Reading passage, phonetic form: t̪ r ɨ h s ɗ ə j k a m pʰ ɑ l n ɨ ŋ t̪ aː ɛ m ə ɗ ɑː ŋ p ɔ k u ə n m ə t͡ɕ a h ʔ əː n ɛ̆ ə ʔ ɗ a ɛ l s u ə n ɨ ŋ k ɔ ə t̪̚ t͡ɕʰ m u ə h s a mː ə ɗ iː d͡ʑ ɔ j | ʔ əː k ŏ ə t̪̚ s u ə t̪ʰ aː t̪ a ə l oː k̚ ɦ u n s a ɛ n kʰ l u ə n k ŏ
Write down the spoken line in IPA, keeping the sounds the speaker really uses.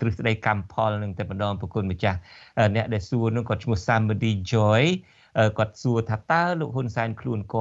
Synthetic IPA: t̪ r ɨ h s ɗ ə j k a m pʰ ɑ l n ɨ ŋ t̪ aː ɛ m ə ɗ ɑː ŋ p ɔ k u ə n m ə t͡ɕ a h ʔ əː n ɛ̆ ə ʔ ɗ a ɛ l s u ə n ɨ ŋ k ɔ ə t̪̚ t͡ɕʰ m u ə h s a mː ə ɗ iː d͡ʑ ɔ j | ʔ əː k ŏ ə t̪̚ s u ə t̪ʰ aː t̪ a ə l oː k̚ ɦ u n s a ɛ n kʰ l u ə n k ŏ